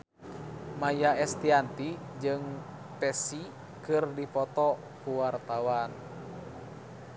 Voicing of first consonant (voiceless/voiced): voiced